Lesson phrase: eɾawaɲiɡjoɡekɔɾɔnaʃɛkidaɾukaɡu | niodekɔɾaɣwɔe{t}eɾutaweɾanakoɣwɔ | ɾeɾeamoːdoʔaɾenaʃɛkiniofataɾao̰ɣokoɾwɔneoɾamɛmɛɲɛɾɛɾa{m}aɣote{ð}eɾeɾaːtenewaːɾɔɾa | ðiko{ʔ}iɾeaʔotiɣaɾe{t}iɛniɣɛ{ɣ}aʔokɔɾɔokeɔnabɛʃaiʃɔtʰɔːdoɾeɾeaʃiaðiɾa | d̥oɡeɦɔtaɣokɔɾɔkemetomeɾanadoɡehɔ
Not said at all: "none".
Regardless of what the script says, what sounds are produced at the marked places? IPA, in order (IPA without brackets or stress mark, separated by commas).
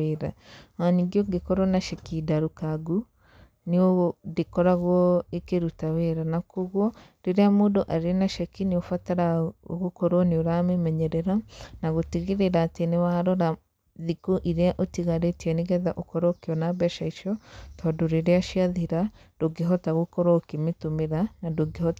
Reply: k, n, ɣ, ʔ, t, ð